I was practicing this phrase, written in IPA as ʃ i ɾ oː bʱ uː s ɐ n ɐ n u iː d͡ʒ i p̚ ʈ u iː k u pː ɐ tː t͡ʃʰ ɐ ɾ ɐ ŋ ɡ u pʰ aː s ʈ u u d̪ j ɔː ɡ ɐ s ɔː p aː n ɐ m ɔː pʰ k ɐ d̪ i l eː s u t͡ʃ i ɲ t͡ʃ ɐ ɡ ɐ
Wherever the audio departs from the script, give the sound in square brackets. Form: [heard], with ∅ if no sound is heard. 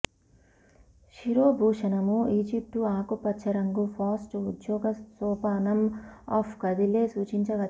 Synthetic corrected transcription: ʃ i ɾ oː bʱ uː [ʂ] ɐ n ɐ [m] u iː d͡ʒ i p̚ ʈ u [aː] k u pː ɐ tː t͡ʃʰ ɐ ɾ ɐ ŋ ɡ u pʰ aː s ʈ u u d̪ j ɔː ɡ ɐ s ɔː p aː n ɐ m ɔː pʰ k ɐ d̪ i l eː s [uː] t͡ʃ i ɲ t͡ʃ ɐ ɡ ɐ